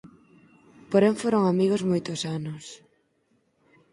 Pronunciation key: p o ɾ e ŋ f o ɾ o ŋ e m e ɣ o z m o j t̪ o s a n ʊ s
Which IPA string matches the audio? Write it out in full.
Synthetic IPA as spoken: p o ɾ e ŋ f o ɾ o ŋ a m i ɣ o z m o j t̪ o s a n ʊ s